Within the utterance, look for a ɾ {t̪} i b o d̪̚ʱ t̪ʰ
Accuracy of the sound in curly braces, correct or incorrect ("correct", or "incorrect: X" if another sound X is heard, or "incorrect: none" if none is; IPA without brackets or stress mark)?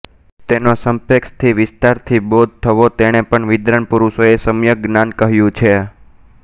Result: incorrect: t̪ʰ